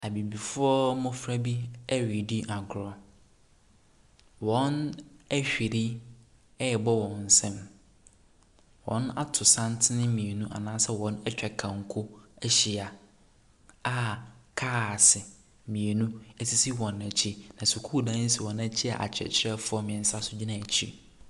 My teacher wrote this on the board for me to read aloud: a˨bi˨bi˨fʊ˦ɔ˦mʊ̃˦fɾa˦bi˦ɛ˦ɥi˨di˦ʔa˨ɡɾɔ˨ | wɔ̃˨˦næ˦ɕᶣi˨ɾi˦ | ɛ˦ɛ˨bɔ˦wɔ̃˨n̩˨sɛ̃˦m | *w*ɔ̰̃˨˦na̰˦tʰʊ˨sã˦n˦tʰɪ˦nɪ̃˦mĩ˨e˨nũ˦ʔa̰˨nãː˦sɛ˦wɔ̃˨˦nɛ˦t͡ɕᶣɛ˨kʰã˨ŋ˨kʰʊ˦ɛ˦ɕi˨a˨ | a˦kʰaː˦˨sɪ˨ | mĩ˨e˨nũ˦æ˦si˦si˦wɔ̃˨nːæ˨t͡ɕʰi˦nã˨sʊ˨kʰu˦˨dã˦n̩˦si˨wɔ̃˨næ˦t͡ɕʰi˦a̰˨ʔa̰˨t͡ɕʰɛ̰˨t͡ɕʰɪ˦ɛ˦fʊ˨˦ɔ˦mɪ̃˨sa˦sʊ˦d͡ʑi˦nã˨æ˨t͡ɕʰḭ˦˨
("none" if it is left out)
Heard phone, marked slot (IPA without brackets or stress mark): w